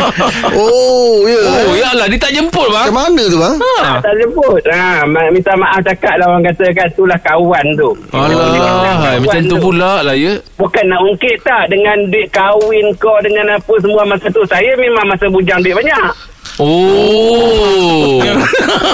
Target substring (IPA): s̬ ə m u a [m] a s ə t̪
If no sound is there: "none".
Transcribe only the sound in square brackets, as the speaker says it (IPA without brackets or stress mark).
m